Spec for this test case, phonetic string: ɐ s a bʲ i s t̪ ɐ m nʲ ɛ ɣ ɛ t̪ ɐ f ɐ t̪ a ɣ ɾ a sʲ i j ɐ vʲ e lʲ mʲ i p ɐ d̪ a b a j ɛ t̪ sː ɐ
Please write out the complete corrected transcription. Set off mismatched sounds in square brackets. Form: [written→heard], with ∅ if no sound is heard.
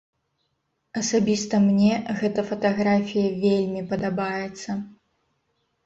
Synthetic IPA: ɐ s a bʲ i s t̪ ɐ m nʲ ɛ ɣ ɛ t̪ ɐ f ɐ t̪ a ɣ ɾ a [sʲ→fʲ] i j ɐ vʲ e lʲ mʲ i p ɐ d̪ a b a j ɛ t̪ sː ɐ